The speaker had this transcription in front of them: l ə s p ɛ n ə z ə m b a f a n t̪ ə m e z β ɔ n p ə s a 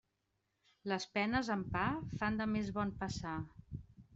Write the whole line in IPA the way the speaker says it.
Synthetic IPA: l ə s p ɛ n ə z ə m p a f a n d̪ ə m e z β ɔ n p ə s a